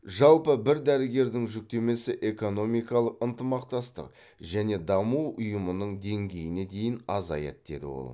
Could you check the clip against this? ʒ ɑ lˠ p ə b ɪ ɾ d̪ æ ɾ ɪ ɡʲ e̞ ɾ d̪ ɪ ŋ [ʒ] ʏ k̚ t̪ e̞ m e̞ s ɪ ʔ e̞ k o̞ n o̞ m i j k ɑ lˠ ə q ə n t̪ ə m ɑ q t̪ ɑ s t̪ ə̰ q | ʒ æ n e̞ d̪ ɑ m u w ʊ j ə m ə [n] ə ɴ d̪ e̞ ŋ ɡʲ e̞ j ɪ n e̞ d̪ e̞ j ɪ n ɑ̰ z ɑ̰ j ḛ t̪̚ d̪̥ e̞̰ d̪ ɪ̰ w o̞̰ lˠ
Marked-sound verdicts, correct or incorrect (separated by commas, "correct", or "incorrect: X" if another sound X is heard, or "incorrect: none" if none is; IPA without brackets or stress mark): correct, correct